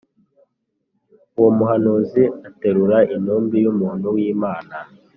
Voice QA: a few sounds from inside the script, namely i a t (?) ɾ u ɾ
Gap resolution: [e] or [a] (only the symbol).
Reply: e